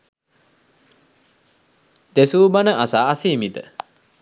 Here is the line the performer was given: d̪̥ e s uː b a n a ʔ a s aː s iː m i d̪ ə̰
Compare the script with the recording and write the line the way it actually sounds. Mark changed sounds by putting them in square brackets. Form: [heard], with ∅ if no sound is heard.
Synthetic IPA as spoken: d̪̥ e s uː b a n [ə] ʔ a s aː s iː m i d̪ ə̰